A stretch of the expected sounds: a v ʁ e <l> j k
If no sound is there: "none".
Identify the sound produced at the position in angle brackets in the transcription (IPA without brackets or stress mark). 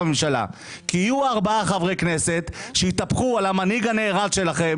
none